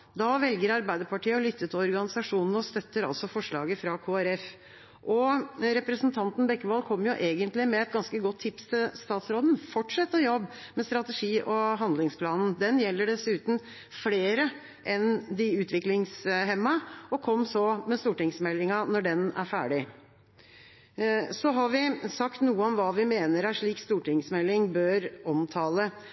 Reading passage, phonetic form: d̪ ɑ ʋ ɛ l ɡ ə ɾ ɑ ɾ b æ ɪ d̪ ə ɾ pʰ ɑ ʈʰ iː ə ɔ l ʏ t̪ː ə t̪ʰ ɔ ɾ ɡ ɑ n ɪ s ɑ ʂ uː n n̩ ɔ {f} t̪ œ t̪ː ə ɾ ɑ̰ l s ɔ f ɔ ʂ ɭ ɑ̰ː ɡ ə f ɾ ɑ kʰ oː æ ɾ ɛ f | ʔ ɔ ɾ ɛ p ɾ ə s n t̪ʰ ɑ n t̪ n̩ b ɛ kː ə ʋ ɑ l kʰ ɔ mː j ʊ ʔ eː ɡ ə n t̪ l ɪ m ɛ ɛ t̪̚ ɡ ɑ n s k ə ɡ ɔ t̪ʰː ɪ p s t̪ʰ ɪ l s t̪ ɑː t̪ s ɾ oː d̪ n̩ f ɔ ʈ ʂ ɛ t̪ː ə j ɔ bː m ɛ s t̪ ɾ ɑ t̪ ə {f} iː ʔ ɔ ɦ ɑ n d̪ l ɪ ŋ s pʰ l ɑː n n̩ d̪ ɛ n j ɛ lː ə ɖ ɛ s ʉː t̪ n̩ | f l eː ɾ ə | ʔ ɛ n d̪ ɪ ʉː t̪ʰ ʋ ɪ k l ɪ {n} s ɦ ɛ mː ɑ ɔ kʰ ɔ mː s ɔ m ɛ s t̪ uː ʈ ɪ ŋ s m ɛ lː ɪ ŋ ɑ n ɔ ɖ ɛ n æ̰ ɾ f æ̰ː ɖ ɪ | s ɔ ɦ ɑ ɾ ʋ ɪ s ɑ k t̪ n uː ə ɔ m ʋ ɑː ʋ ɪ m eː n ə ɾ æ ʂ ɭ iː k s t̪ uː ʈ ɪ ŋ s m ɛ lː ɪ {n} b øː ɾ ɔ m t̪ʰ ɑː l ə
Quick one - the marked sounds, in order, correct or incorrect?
incorrect, incorrect, incorrect, incorrect

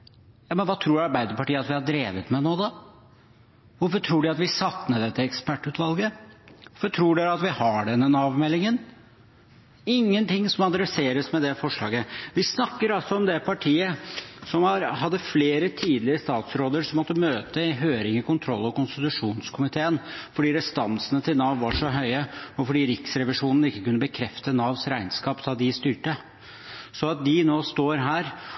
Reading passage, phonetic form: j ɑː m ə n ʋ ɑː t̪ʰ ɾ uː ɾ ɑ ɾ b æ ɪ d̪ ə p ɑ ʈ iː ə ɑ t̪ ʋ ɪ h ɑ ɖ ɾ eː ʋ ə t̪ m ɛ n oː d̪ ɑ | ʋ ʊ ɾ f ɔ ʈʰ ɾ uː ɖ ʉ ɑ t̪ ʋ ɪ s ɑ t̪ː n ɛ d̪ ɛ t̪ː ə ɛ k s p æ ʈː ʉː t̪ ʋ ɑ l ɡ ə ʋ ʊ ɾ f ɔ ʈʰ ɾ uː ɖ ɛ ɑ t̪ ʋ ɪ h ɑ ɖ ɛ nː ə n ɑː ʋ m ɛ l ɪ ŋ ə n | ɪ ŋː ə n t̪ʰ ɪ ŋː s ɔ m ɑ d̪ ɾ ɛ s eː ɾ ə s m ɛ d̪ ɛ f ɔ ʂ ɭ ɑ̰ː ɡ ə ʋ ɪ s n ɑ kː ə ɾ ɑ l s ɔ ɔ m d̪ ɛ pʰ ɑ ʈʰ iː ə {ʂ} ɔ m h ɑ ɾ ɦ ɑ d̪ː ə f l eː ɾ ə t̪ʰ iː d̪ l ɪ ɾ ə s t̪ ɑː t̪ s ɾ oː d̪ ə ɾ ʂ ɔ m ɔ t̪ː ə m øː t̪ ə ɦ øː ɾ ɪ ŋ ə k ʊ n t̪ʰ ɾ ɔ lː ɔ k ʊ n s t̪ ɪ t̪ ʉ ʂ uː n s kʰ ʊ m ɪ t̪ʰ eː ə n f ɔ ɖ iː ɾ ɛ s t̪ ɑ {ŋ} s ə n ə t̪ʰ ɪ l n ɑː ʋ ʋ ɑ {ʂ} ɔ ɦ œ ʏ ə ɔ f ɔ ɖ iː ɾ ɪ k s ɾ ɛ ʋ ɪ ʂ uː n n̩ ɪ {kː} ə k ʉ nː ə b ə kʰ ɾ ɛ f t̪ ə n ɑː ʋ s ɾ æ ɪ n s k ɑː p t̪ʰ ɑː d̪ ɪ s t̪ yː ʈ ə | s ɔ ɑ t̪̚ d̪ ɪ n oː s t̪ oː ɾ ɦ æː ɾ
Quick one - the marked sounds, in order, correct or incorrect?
incorrect, incorrect, correct, correct

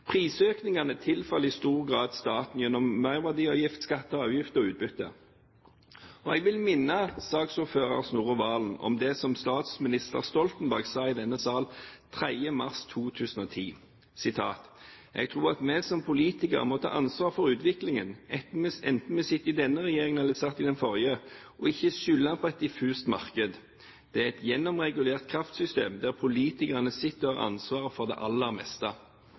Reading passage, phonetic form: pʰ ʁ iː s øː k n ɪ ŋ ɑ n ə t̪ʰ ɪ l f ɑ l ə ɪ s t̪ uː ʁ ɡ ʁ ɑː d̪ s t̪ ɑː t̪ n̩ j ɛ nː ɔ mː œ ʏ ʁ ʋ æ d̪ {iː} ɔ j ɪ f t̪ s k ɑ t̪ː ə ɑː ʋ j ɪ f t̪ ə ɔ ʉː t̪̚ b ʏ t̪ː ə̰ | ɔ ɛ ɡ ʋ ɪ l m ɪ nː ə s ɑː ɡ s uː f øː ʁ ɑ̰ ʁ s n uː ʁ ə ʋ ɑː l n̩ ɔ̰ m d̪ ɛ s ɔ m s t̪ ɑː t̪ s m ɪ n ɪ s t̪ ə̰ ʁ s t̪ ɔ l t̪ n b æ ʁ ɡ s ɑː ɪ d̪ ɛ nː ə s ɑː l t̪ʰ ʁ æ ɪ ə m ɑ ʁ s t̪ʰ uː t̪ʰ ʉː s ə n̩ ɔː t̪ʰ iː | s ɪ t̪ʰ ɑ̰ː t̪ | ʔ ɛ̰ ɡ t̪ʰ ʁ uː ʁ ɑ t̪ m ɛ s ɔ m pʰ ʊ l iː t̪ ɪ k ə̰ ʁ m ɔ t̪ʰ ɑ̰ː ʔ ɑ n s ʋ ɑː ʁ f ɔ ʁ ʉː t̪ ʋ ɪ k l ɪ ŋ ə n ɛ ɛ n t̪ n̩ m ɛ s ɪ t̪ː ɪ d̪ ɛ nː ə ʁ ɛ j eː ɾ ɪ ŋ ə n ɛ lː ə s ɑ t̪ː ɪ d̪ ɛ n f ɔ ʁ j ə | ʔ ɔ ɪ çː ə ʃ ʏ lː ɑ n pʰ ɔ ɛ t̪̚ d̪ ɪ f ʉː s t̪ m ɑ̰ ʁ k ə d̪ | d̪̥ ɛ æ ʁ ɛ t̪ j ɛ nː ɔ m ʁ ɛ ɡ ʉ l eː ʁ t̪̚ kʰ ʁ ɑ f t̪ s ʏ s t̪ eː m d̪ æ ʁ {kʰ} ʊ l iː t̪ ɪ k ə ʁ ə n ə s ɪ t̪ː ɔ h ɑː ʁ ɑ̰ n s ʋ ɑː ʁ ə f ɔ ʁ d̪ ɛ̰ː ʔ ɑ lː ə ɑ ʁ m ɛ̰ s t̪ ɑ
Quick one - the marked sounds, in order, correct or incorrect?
correct, incorrect

